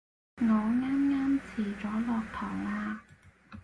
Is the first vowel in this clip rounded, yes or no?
yes